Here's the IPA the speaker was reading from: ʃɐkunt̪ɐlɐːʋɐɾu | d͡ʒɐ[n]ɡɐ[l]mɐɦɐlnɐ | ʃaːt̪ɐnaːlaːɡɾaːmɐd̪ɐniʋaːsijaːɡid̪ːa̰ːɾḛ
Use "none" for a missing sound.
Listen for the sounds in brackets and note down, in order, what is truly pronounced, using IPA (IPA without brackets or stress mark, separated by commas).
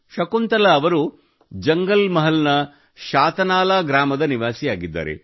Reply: ŋ, l